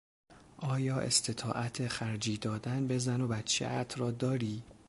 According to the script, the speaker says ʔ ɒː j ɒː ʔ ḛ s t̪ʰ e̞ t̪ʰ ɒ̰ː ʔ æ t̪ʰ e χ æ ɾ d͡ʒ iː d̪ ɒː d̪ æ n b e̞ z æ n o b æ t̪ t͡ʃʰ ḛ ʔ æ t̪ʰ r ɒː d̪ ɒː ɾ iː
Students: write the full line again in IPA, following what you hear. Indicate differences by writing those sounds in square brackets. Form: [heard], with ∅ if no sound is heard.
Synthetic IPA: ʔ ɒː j ɒː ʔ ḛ s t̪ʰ e̞ t̪ʰ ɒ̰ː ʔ æ t̪ʰ e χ æ ɾ d͡ʒ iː d̪ ɒː d̪ æ n b e̞ z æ n o b æ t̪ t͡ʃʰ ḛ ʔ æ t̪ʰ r ɒː d̪ ɒː ɾ iː